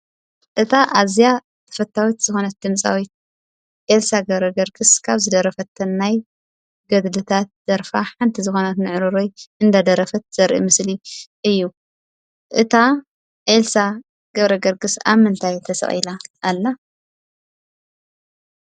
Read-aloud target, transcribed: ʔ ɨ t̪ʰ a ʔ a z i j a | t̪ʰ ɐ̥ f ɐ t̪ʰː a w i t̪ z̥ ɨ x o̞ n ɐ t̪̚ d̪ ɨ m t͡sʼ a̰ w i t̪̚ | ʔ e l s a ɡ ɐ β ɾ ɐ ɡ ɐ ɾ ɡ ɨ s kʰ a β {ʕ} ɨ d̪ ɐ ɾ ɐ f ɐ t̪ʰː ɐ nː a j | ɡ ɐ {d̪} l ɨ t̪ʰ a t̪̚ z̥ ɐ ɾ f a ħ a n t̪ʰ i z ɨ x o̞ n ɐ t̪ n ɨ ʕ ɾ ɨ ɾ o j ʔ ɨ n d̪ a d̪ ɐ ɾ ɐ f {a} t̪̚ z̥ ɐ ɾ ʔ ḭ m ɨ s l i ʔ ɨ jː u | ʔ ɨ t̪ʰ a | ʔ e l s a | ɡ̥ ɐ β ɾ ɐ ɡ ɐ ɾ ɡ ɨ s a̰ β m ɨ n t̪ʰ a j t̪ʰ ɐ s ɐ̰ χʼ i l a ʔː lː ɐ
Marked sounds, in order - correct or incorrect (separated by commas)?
incorrect, correct, incorrect